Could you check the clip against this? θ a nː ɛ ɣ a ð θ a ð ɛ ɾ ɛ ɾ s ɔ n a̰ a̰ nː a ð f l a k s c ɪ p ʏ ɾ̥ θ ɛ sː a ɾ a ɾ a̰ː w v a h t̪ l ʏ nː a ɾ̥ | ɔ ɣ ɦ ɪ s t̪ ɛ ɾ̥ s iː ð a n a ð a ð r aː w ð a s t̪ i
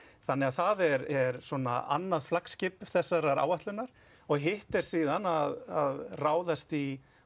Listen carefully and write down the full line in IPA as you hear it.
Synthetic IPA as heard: θ a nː ɛ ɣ a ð θ a ð ɛ ɾ ɛ ɾ s ɔ n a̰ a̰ nː a ð f l a k s c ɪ p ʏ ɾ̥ θ ɛ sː a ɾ a ɾ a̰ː w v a h t̪ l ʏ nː a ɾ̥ | ɔ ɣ ɦ ɪ h t̪ ɛ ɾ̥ s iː ð a n a ð a ð r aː w ð a s t̪ i